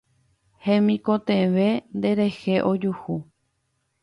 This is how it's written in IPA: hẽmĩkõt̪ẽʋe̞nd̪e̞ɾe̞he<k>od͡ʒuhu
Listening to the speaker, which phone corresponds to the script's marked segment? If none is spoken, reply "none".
ʔ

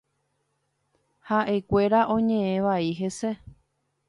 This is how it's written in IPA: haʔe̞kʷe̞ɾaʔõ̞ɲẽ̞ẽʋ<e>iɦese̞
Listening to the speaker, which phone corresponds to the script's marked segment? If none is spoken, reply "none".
a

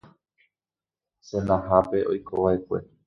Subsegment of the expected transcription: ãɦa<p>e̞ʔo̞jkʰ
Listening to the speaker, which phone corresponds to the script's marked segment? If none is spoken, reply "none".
p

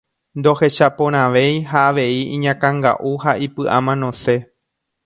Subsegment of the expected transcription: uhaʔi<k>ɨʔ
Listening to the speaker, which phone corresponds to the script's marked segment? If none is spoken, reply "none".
p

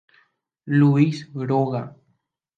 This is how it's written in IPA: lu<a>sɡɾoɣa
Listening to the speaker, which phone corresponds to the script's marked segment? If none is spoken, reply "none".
i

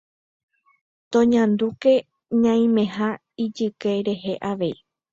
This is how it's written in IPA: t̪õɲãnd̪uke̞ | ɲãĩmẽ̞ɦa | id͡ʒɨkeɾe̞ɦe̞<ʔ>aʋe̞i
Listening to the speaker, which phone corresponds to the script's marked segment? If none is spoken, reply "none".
ʔ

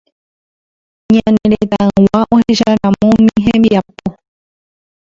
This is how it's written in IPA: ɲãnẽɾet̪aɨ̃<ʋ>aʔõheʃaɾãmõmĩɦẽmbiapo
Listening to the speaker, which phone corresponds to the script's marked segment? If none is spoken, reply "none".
w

